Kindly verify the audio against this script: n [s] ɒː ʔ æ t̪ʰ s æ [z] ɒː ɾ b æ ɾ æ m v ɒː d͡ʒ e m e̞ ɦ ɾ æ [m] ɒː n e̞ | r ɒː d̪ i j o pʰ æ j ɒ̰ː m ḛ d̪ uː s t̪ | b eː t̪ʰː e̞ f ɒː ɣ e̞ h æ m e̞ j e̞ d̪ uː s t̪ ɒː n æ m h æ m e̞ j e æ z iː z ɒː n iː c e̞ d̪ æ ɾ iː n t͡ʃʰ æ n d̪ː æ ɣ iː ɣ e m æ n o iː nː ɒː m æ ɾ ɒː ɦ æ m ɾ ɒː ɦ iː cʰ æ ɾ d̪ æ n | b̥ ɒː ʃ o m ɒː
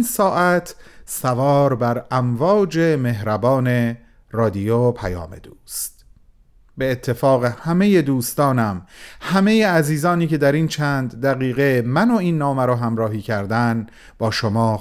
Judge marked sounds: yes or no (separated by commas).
yes, no, no